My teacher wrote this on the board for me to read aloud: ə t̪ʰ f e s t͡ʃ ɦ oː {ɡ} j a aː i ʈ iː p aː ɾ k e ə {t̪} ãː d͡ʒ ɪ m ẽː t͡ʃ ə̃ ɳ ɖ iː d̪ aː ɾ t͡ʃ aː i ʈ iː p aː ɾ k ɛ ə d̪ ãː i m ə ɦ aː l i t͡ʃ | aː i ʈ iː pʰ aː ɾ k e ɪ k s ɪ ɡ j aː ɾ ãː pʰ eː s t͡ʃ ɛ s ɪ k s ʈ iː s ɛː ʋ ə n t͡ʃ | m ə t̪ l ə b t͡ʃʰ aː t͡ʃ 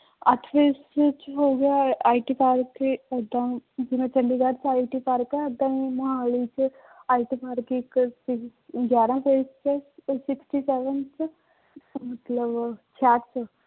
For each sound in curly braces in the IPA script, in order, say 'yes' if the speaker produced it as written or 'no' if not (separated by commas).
yes, no